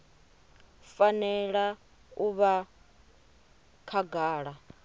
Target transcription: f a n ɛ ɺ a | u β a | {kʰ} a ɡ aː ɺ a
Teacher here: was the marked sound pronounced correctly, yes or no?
yes